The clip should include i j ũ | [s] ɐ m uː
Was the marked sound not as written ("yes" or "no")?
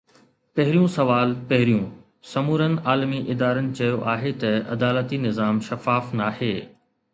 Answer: no